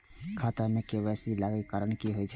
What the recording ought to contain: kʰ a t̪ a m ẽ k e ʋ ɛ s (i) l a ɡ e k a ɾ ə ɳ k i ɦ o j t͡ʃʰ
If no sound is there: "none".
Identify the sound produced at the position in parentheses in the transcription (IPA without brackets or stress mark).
i